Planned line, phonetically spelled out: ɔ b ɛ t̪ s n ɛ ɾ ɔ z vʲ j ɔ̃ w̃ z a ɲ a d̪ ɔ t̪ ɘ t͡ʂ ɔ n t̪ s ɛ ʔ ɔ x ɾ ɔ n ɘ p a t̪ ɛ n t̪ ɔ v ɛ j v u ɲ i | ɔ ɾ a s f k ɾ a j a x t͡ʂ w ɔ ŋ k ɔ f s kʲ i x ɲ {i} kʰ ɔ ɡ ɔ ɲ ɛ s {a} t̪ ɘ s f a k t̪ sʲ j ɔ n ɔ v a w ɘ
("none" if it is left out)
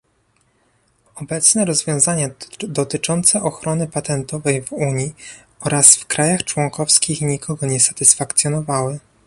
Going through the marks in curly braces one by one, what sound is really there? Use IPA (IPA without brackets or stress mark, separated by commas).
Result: i, a